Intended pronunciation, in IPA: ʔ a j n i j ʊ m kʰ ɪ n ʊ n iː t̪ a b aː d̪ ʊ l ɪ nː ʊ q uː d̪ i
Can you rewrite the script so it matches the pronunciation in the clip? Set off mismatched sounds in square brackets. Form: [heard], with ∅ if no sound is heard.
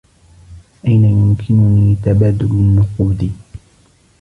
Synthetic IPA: ʔ a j n [a] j ʊ m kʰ ɪ n ʊ n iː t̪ a b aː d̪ ʊ l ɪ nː ʊ q uː d̪ i